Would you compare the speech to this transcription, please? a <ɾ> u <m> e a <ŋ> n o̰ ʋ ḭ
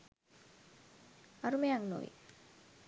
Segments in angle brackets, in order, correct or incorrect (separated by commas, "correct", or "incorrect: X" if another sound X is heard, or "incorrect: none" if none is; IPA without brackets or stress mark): correct, correct, correct